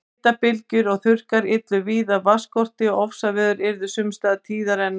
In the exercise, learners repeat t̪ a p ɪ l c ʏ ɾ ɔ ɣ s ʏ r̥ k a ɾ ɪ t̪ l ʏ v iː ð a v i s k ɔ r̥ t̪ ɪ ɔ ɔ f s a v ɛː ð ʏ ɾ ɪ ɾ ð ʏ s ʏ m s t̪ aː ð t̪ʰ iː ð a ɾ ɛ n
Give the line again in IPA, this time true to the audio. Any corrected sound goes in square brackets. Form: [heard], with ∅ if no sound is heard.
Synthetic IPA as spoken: t̪ a p ɪ l c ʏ ɾ ɔ ɣ [θ] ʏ r̥ k a ɾ ɪ t̪ l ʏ v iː ð a v [a] s k ɔ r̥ t̪ ɪ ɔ ɔ f s a v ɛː ð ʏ ɾ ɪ ɾ ð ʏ s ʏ m s t̪ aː ð t̪ʰ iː ð a ɾ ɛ n

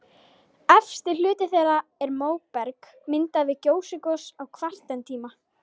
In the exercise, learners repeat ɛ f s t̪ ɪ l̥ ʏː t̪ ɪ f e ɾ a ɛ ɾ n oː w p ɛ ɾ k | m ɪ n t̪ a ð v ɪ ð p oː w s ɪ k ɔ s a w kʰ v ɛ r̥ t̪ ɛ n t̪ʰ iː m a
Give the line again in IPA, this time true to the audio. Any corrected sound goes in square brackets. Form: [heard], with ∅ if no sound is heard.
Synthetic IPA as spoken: ɛ f s t̪ ɪ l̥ ʏː t̪ ɪ [θ] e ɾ a ɛ ɾ [m] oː w p ɛ ɾ k | m ɪ n t̪ a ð v ɪ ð [c] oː w s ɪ k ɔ s a w kʰ v [a] r̥ t̪ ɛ n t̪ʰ iː m a

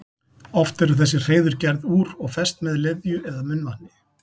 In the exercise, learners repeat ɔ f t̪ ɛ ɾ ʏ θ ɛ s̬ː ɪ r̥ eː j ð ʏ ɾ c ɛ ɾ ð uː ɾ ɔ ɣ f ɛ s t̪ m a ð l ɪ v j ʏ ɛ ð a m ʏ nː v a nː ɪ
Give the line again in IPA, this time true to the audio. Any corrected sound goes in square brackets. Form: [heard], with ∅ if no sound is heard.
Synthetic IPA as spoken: ɔ f t̪ ɛ ɾ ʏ θ ɛ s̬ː ɪ r̥ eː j ð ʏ ɾ c ɛ ɾ ð uː ɾ ɔ ɣ f ɛ s t̪ m [ɛ] ð l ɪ [ð] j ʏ ɛ ð a m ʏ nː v a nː ɪ

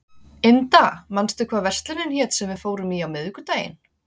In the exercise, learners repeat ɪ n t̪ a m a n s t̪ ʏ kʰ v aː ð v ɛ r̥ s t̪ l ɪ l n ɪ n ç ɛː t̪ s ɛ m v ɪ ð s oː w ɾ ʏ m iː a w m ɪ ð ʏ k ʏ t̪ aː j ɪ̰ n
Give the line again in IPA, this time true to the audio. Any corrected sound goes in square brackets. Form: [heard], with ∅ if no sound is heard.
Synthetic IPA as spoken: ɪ n t̪ a m a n s t̪ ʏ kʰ v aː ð v ɛ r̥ s t̪ l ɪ [∅] n ɪ n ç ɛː t̪ s ɛ m v ɪ ð [f] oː w ɾ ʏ m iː a w m ɪ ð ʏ k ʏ t̪ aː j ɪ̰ n

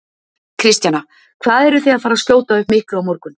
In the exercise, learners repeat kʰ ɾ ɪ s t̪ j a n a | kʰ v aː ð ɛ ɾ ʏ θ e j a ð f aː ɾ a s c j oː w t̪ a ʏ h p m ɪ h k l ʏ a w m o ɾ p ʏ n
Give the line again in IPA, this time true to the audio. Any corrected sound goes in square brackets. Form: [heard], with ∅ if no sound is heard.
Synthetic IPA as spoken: kʰ ɾ ɪ s t̪ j a n a | kʰ v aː ð ɛ ɾ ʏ θ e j a ð f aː ɾ a s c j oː w t̪ a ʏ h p m ɪ h k l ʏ a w m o ɾ [k] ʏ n

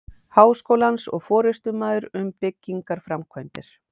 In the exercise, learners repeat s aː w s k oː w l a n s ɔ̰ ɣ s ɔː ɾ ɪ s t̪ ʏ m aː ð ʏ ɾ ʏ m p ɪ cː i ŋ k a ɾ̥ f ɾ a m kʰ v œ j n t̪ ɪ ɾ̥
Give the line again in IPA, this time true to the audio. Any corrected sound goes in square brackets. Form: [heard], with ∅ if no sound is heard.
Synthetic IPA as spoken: [h] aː w s k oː w l a n s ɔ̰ ɣ [f] ɔː ɾ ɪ s t̪ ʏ m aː ð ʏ ɾ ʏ m p ɪ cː i ŋ k a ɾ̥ f ɾ a m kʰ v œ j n t̪ ɪ ɾ̥

